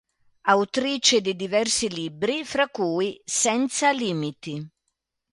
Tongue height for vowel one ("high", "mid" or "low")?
low